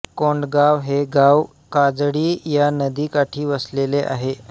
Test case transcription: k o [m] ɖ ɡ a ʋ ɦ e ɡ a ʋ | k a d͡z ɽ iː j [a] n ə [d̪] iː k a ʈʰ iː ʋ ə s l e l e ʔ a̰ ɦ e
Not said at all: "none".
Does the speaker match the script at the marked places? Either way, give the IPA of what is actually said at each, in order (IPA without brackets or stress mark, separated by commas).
ɳ, a, d̪